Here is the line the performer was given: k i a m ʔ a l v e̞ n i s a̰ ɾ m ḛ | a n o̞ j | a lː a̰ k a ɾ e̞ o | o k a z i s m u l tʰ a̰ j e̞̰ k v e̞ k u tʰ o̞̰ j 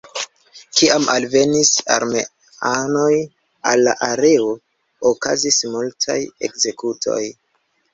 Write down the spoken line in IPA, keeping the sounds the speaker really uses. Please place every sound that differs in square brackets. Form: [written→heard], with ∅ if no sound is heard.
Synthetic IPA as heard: k i a m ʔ a l v e̞ n i s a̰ ɾ m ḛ | a n o̞ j | a lː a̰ [k→ʔ] a ɾ e̞ o | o k a z i s m u l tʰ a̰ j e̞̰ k [v→z] e̞ k u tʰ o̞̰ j